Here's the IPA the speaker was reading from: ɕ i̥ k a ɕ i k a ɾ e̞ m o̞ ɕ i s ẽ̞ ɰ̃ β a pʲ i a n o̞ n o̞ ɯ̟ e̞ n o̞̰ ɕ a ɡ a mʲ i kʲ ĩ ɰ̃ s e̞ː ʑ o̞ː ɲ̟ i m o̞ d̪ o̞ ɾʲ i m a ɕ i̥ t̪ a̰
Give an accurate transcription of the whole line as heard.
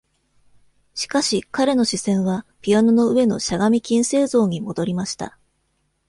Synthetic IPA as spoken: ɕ i̥ k a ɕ i k a ɾ e̞ n o̞ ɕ i s ẽ̞ ɰ̃ β a pʲ i a n o̞ n o̞ ɯ̟ e̞ n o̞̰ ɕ a ɡ a mʲ i kʲ ĩ ɰ̃ s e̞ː z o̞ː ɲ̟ i m o̞ d̪ o̞ ɾʲ i m a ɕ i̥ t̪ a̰